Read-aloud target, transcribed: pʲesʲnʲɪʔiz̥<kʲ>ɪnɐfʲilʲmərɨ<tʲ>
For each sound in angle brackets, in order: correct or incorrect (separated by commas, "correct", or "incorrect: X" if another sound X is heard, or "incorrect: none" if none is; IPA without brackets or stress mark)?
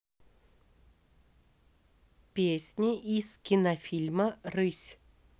correct, incorrect: sʲ